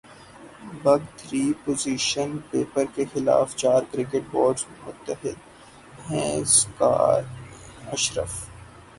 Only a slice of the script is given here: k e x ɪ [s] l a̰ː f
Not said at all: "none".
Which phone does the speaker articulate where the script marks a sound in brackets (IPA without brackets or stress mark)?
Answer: none